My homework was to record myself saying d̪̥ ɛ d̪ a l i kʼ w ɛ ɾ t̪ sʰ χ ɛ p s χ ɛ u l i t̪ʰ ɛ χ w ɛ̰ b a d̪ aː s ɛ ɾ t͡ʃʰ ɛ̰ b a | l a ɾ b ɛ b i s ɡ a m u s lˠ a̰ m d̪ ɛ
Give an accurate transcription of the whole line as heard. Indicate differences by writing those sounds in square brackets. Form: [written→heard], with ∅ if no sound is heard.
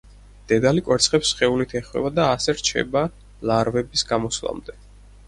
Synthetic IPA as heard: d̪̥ ɛ d̪ a l i kʼ w ɛ ɾ t̪ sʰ χ ɛ p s χ ɛ u l i t̪ʰ ɛ χ w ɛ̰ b a d̪ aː s ɛ ɾ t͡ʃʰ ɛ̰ b a | l a ɾ [b→v] ɛ b i s ɡ a m [u→ɔ] s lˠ a̰ m d̪ ɛ